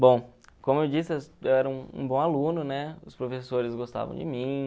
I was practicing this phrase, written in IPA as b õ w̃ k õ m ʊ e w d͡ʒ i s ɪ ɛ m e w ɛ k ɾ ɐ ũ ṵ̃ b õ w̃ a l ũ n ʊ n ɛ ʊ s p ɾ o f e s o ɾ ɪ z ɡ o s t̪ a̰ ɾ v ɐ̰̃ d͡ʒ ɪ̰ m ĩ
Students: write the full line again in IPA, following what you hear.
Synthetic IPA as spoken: b õ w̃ k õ m ʊ e w d͡ʒ i s ɪ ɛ e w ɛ ɾ ɐ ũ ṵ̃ b õ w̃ a l ũ n ʊ n ɛ ʊ s p ɾ o f e s o ɾ ɪ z ɡ o s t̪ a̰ v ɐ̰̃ d͡ʒ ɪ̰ m ĩ